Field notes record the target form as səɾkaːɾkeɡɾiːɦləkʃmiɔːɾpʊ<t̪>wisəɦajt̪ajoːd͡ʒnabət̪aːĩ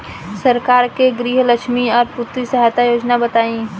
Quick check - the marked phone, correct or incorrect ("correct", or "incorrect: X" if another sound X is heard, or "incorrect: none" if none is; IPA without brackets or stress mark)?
correct